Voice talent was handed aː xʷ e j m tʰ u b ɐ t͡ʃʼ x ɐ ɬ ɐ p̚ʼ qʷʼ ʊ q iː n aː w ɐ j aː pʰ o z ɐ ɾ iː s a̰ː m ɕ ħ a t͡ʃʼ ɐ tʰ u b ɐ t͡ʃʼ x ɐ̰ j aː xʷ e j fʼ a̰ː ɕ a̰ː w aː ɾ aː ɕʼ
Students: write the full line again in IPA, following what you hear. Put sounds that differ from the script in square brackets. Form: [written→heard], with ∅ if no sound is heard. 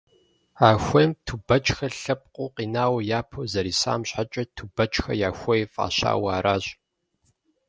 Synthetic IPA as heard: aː xʷ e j m tʰ u b ɐ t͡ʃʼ x ɐ ɬ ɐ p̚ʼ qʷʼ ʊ q iː n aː w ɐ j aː pʰ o z ɐ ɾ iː s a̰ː m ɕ ħ a t͡ʃʼ ɐ tʰ u b ɐ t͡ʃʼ x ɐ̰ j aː xʷ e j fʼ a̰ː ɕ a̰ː w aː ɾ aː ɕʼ